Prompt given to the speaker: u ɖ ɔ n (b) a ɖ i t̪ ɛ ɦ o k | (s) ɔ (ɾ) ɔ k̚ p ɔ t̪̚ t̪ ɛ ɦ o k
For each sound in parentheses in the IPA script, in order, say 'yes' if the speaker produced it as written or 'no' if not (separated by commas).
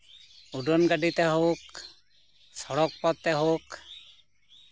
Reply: no, yes, no